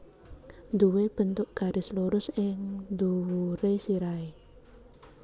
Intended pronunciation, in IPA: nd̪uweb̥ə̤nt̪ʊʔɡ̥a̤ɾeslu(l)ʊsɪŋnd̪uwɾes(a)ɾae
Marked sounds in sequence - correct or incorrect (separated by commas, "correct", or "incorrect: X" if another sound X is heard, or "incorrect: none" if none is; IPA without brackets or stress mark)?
incorrect: ɾ, incorrect: i